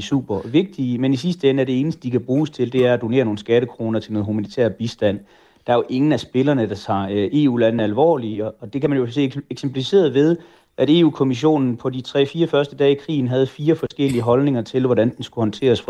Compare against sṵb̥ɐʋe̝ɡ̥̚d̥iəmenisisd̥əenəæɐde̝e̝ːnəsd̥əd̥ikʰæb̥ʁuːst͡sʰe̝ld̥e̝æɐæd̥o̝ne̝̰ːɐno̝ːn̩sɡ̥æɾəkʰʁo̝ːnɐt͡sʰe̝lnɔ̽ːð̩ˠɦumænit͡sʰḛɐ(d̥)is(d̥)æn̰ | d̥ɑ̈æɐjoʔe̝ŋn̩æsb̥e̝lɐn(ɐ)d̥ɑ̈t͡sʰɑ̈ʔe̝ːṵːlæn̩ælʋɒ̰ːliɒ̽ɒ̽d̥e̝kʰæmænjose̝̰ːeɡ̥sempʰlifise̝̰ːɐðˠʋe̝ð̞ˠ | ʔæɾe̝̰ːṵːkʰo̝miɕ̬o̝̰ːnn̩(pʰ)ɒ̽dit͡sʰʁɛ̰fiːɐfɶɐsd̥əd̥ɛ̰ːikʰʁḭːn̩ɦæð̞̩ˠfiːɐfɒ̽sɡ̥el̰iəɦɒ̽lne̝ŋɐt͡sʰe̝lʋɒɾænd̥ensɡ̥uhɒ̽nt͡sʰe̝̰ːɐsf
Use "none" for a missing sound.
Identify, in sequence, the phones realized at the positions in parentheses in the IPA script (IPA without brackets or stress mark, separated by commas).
b̥, d̥, ə, pʰ